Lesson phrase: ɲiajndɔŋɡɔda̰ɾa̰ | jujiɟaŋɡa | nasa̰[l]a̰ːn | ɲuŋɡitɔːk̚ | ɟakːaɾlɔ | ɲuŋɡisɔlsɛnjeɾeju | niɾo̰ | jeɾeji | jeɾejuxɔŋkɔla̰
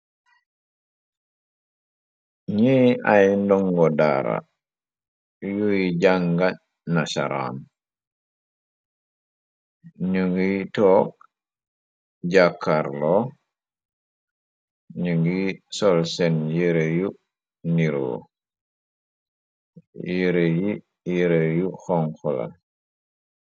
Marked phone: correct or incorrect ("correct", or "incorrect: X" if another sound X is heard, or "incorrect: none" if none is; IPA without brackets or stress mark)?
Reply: incorrect: ɾ